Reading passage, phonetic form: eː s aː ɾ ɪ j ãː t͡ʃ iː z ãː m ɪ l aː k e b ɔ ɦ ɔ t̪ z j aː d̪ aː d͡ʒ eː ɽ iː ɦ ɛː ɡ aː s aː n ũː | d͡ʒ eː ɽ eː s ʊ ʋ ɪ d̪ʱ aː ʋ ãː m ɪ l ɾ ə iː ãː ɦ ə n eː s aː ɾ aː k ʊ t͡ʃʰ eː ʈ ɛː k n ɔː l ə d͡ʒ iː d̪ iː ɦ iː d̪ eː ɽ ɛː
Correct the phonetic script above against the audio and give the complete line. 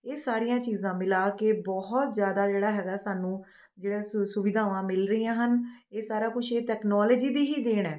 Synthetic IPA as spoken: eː s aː ɾ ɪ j ãː t͡ʃ iː z ãː m ɪ l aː k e b ɔ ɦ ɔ t̪ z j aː d̪ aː d͡ʒ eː ɽ aː ɦ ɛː ɡ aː s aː n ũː | d͡ʒ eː ɽ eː s ʊ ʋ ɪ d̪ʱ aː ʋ ãː m ɪ l ɾ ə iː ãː ɦ ə n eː s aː ɾ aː k ʊ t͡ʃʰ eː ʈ ɛː k n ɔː l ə d͡ʒ iː d̪ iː ɦ iː d̪ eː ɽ ɛː